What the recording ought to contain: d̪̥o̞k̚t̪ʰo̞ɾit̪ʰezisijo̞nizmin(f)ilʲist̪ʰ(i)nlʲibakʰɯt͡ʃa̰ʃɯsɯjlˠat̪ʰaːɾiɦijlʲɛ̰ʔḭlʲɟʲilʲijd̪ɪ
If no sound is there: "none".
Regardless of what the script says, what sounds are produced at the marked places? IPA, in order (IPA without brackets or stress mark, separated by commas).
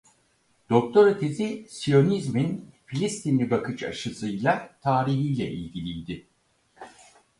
f, i